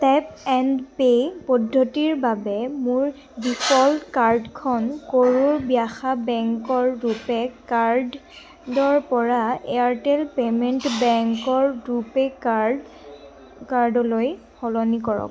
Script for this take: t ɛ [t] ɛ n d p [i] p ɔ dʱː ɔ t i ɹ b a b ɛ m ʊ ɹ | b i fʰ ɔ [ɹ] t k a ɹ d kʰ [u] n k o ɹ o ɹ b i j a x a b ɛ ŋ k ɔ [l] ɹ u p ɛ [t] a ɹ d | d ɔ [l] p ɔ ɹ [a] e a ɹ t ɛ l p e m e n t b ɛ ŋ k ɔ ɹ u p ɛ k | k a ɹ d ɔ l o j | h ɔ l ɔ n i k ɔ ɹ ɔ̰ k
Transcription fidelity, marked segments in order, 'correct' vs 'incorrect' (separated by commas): incorrect, incorrect, incorrect, incorrect, incorrect, incorrect, incorrect, correct